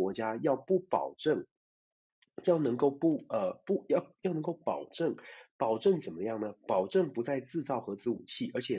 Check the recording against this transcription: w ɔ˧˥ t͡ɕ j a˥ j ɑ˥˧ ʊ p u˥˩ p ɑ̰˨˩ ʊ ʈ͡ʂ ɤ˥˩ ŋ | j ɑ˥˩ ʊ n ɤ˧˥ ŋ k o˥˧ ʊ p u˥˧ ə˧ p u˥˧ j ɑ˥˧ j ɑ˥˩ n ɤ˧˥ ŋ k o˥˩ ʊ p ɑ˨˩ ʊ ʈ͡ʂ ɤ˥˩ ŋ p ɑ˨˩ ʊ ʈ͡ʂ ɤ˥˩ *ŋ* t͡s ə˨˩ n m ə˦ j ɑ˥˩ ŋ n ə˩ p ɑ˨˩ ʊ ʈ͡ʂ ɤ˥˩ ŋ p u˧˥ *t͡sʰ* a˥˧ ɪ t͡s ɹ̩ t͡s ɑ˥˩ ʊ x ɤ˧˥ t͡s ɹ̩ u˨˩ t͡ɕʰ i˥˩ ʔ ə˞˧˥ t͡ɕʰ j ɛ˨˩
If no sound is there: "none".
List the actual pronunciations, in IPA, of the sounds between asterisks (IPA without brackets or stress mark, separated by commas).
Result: ŋ, t͡s